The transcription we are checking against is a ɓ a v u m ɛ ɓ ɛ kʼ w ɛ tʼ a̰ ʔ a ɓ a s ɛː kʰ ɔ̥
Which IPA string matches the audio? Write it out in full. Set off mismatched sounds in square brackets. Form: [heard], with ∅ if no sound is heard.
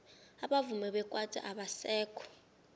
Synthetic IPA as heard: a ɓ a v u m ɛ ɓ ɛ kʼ w [a] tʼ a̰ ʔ a ɓ a s ɛː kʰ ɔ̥